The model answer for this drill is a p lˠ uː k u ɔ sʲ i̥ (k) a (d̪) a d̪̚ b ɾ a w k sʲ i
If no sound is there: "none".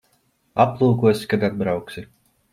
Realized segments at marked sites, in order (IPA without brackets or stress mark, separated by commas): k, d̪